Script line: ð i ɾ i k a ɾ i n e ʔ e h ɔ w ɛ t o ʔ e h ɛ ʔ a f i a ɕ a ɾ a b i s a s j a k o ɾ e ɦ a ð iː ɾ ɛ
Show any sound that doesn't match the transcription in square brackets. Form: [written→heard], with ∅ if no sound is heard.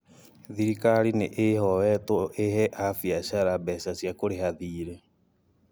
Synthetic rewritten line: ð i ɾ i k a ɾ i n e ʔ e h ɔ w ɛ t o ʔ e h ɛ ʔ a f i a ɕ a ɾ a b [i→ɛ] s a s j a k o ɾ e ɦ a ð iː ɾ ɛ